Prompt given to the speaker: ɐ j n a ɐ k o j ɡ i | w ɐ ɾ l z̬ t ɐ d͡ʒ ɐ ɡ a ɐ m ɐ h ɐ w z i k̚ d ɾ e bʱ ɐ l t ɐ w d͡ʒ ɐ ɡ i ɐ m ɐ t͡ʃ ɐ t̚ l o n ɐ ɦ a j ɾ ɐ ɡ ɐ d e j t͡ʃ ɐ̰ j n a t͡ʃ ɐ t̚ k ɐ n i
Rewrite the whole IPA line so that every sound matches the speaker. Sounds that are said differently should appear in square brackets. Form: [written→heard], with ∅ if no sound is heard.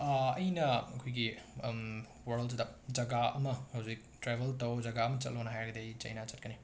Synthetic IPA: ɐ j n [a→ɐ] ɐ [k→kʰ] o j ɡ i | w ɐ ɾ l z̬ [t→d] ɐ d͡ʒ ɐ ɡ a ɐ m ɐ h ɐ w z i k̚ [d→t] ɾ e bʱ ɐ l t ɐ w d͡ʒ ɐ ɡ [i→a] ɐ m ɐ t͡ʃ ɐ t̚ l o n ɐ ɦ a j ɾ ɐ ɡ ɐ d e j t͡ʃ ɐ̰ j n a t͡ʃ ɐ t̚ k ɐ n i